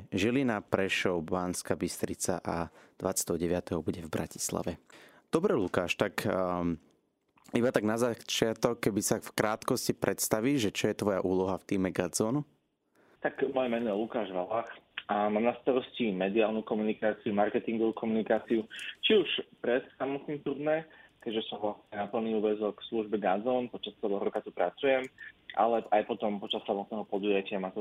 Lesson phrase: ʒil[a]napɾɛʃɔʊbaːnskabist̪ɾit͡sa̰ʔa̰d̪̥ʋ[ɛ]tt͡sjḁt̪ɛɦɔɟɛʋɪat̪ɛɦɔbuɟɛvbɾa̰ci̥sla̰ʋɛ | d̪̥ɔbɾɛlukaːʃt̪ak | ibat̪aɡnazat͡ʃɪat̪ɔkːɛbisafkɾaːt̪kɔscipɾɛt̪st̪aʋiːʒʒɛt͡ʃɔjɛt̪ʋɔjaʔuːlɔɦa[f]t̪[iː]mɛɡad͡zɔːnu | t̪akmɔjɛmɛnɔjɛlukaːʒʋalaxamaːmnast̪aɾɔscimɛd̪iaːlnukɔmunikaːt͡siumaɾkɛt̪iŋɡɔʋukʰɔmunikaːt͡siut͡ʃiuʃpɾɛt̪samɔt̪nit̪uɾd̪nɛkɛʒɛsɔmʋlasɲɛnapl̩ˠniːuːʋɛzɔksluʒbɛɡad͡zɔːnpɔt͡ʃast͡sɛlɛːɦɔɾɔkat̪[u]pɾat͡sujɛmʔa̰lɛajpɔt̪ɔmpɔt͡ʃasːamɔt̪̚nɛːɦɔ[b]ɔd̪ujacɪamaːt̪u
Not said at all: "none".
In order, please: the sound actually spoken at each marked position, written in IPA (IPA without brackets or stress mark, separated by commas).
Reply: i, a, f, iː, u, p